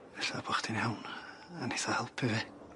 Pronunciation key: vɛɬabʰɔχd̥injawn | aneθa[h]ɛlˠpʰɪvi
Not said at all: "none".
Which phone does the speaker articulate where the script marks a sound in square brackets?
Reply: h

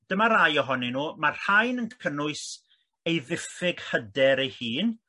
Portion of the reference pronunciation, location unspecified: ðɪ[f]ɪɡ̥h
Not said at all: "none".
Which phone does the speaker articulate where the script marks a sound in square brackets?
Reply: f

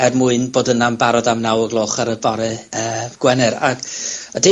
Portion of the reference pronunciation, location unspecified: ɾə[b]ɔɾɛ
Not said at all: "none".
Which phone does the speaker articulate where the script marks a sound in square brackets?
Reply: b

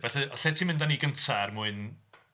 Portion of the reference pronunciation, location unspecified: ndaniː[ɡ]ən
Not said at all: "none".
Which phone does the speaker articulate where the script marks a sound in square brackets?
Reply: ɡ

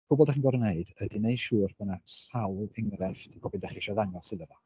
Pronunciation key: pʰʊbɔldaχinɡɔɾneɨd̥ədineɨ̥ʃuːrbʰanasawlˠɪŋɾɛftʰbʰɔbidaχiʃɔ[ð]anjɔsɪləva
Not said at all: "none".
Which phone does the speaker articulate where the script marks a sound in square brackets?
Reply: ð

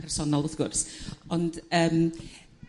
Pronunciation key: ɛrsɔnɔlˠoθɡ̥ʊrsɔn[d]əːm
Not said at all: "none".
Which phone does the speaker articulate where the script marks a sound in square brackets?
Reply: d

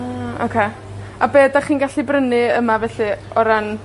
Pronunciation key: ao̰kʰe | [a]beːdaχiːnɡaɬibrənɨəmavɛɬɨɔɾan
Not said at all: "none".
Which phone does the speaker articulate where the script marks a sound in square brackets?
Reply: a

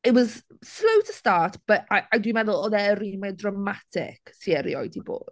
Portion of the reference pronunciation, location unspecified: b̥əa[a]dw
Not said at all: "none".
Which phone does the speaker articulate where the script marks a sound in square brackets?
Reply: a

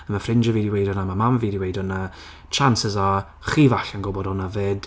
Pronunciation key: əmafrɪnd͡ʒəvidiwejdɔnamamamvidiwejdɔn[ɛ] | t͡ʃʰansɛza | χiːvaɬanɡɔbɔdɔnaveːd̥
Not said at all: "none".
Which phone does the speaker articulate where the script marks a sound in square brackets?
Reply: a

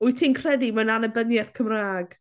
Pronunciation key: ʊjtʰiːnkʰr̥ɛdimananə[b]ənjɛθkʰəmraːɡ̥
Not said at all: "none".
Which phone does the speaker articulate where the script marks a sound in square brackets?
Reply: b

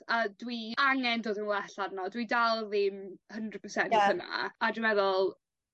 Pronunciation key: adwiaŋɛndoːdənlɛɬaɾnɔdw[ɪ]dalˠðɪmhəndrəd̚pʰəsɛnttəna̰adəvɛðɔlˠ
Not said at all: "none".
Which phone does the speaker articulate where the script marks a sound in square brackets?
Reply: i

